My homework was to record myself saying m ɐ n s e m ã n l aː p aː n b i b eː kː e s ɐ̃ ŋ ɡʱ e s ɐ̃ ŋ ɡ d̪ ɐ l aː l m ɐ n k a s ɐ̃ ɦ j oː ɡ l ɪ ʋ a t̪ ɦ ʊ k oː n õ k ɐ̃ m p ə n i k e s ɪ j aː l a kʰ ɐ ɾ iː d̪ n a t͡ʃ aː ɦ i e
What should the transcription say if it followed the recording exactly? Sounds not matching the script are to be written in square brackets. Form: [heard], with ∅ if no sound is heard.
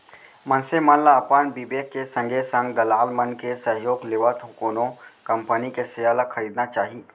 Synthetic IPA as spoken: m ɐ n s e m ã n l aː p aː n b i b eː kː e s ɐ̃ ŋ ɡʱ e s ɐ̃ ŋ ɡ d̪ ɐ l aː l m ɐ n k [e] s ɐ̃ ɦ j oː ɡ l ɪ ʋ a t̪ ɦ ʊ k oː n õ k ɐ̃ m p ə n i k e s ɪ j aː l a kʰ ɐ ɾ iː d̪ n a t͡ʃ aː ɦ i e